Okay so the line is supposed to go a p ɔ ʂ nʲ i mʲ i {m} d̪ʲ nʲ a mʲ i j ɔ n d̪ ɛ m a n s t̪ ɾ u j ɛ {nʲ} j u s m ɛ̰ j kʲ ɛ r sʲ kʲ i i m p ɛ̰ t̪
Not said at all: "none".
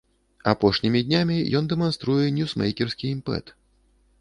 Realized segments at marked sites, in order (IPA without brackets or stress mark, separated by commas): none, nʲ